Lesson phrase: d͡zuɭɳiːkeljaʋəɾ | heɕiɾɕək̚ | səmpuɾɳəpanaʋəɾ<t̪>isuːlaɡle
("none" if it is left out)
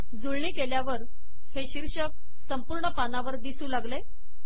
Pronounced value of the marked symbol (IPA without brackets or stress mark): d̪